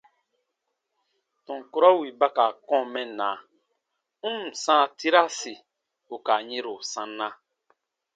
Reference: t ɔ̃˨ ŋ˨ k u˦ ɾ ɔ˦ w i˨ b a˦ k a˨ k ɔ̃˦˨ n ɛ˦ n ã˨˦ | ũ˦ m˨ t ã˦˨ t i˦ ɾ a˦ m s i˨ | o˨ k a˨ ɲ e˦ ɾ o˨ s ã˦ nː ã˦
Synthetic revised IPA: t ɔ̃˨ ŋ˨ k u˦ ɾ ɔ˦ w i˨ b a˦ k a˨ k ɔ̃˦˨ m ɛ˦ n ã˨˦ | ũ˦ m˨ s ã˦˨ t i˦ ɾ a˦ s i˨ | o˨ k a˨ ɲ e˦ ɾ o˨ s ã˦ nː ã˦